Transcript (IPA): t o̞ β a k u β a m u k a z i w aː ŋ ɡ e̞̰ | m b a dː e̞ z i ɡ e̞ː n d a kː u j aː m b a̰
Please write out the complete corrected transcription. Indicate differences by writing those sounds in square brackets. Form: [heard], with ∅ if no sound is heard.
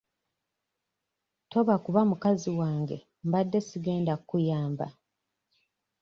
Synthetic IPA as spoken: t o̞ β a k u β a m u k a z i w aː ŋ ɡ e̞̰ | m b a dː e̞ [s] i ɡ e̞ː n d a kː u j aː m b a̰